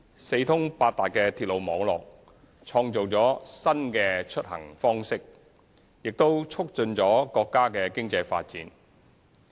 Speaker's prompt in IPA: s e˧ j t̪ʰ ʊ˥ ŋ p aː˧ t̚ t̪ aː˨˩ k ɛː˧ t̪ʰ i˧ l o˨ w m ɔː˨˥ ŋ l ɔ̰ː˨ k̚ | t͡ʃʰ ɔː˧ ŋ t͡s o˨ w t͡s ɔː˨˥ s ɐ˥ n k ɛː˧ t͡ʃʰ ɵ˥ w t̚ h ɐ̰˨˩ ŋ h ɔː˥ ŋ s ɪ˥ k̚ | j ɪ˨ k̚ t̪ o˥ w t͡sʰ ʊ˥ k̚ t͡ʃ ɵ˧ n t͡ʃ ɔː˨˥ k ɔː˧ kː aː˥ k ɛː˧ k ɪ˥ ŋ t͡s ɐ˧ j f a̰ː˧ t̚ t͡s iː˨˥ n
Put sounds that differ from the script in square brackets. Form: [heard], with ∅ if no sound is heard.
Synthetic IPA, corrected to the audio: s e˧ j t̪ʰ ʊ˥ ŋ p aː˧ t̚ t̪ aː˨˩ k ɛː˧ t̪ʰ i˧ l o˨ w m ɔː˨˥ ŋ l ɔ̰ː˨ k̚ | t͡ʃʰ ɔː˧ ŋ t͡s o˨ w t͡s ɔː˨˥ s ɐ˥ n k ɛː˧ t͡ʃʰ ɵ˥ [∅] t̚ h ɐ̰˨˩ ŋ [f] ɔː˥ ŋ s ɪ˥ k̚ | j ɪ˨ k̚ t̪ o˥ w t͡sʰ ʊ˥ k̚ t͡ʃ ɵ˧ n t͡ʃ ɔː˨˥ k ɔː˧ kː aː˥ k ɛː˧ k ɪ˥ ŋ t͡s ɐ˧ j f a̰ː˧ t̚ t͡s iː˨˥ n